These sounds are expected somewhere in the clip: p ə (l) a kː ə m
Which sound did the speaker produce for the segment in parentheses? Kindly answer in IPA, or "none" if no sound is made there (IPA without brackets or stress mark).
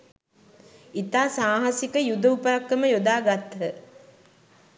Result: ɾ